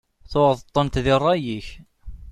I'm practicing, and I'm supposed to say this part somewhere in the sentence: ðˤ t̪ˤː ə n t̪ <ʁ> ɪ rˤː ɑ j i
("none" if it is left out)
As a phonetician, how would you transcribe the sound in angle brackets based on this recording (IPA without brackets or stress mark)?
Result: ð